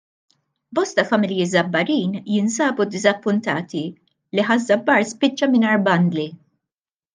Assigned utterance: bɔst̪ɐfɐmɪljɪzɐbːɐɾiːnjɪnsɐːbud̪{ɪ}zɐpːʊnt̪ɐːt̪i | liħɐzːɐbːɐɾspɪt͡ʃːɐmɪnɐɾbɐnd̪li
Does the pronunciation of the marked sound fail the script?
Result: no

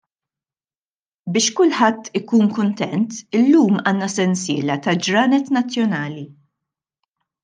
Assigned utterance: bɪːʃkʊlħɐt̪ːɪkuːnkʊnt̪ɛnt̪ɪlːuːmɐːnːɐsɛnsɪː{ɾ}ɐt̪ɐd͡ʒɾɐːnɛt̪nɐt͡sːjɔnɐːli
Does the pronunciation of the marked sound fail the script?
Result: yes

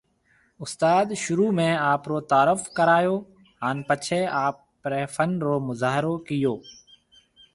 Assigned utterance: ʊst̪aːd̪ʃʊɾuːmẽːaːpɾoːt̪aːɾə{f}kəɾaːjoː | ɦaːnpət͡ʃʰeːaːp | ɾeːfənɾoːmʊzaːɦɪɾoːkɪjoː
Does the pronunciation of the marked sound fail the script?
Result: no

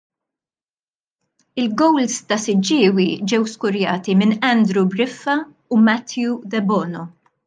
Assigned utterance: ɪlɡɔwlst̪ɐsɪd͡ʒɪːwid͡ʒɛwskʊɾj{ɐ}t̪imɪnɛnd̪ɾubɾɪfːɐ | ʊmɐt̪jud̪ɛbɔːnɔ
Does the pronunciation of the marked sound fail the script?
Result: yes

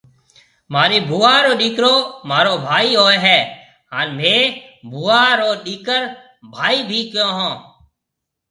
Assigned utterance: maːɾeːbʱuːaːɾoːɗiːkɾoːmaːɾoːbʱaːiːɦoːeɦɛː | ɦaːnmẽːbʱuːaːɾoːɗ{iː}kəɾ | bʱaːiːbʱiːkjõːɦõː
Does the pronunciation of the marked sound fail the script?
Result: no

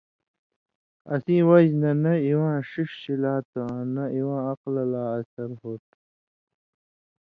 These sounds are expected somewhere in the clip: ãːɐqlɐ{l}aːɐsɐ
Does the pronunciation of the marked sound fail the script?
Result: no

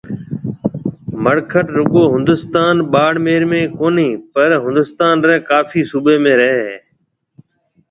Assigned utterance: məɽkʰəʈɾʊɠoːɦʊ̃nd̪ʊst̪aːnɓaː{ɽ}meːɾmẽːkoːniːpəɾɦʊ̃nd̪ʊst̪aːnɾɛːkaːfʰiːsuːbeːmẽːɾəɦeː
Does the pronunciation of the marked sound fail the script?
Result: no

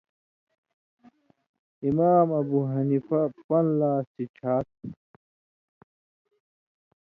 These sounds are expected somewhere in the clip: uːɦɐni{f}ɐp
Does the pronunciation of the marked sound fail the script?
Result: no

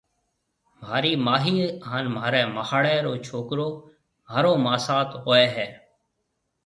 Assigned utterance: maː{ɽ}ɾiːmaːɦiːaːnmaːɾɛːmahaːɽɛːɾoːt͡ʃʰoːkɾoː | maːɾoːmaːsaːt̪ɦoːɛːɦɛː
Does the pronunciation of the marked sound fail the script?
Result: yes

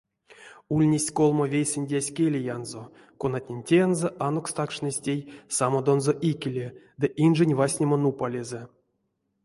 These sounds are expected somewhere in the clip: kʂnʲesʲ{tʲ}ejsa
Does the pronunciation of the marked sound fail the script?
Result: no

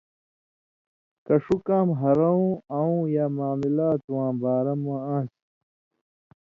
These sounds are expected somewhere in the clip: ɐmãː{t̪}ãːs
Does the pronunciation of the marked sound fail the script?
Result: yes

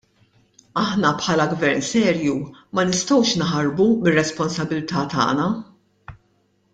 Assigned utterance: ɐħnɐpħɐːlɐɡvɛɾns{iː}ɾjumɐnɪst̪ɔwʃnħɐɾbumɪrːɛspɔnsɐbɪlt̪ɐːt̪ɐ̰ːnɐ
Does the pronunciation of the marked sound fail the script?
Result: yes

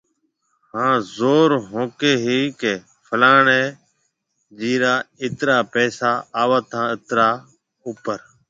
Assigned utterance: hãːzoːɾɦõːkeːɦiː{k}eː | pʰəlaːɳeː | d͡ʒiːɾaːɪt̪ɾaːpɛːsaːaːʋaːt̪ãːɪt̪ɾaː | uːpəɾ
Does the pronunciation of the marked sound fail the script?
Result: no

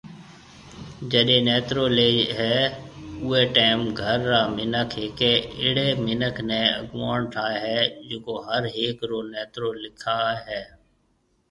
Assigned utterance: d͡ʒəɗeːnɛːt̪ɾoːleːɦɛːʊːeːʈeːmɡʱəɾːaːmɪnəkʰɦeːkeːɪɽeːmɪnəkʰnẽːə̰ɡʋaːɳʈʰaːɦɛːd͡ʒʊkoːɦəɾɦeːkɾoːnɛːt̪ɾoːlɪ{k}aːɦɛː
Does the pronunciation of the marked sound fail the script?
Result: yes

